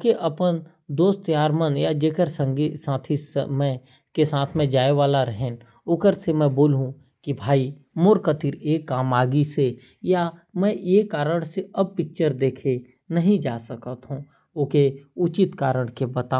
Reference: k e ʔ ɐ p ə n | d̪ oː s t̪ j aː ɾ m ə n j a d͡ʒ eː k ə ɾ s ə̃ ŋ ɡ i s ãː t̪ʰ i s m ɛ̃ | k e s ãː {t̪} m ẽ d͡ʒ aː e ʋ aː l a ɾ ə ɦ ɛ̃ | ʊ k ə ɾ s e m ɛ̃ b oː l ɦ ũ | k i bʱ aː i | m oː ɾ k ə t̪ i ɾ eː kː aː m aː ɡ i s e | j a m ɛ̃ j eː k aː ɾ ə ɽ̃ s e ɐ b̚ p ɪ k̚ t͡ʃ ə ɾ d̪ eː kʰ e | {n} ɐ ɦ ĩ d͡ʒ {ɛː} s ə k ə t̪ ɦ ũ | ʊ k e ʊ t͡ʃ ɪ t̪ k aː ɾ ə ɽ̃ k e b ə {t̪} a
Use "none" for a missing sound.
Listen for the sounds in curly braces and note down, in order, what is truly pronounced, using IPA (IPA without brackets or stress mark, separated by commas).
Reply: t̪ʰ, n, aː, t̪